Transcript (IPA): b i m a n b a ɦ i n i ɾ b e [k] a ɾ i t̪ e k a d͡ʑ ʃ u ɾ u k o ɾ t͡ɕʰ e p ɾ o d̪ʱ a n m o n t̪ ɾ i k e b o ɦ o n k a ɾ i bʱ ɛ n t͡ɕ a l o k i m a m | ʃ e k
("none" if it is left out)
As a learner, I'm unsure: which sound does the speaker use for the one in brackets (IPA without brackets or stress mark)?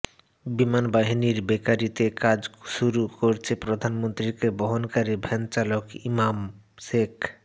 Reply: k